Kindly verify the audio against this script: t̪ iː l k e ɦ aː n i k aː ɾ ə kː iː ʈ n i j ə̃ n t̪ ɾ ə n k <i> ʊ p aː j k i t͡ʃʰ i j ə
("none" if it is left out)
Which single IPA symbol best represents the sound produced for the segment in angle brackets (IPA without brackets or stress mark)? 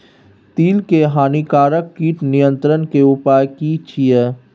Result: e